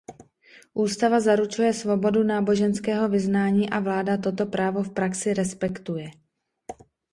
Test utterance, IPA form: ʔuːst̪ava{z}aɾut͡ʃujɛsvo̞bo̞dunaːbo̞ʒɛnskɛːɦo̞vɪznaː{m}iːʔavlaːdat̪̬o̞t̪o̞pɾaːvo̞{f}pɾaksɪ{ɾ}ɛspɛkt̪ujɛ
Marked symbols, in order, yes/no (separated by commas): yes, no, yes, yes